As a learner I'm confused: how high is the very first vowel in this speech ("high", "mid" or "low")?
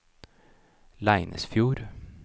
low